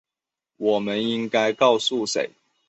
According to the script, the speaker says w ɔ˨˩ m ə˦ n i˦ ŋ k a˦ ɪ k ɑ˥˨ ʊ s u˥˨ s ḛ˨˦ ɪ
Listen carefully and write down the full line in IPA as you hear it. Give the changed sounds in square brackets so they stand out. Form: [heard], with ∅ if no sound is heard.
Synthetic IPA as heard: w ɔ˨˩ m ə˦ n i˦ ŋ k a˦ ɪ k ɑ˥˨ ʊ s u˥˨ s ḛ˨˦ ɪ